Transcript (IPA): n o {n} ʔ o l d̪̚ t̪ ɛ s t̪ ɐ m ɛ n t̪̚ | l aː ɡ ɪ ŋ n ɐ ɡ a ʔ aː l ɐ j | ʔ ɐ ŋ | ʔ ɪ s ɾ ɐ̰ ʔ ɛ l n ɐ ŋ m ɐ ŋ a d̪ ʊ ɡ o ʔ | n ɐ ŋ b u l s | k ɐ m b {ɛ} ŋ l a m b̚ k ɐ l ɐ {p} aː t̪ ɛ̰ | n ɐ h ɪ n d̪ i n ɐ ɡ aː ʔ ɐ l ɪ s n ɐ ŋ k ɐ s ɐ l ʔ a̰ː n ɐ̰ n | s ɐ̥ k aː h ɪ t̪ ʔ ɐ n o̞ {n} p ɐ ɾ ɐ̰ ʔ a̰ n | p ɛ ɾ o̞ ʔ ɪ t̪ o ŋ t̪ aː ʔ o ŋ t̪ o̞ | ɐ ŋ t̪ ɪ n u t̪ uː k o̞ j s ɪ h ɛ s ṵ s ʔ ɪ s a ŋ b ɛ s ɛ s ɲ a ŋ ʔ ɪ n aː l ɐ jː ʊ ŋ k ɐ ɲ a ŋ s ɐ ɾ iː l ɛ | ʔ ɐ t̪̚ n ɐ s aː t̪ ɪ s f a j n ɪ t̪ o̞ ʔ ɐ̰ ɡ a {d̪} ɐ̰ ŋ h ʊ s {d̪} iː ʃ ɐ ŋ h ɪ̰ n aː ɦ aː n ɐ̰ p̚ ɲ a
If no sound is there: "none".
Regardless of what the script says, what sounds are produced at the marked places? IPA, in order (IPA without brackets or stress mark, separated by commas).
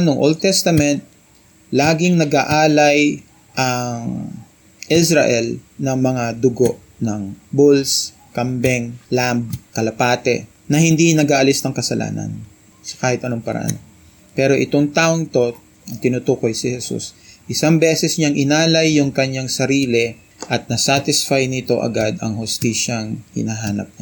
ŋ, ɛ, p, ŋ, d̪, t̪